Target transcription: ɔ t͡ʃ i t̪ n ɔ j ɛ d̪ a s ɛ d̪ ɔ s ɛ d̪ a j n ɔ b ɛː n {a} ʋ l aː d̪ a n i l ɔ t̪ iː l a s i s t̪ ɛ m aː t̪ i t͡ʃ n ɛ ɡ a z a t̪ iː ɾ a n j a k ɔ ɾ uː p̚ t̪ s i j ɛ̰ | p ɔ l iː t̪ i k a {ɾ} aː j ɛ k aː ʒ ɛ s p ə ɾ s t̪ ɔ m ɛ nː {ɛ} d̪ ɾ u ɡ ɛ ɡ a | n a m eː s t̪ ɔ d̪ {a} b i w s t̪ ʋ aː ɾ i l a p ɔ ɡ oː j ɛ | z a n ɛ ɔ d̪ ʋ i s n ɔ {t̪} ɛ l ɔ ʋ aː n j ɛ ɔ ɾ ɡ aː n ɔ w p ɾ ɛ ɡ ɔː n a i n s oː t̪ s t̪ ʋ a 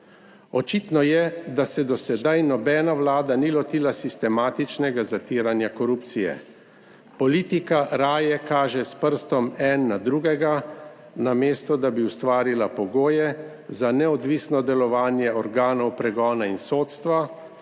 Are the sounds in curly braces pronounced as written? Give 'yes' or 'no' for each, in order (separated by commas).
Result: yes, yes, no, yes, no